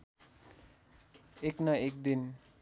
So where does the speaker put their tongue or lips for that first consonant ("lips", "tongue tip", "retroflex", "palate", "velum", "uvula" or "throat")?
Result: velum